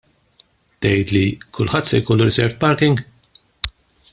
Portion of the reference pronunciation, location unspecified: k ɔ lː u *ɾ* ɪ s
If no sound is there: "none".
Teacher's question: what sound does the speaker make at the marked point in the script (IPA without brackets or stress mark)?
ɾ